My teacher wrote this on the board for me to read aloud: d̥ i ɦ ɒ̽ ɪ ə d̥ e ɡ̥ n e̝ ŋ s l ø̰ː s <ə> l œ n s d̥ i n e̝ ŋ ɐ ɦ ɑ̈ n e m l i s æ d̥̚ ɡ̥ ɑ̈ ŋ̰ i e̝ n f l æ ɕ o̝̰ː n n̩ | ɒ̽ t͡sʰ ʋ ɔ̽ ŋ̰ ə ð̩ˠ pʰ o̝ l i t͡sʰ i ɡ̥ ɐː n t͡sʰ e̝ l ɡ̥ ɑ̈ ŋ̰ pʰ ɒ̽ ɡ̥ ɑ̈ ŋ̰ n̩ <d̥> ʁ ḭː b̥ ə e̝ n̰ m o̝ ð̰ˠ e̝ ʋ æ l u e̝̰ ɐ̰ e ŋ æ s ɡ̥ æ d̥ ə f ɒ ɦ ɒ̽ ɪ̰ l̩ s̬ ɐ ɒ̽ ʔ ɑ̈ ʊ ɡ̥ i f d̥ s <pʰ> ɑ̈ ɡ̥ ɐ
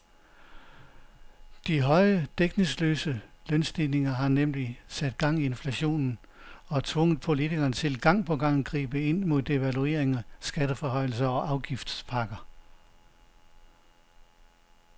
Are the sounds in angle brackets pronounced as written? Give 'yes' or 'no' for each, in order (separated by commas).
yes, no, yes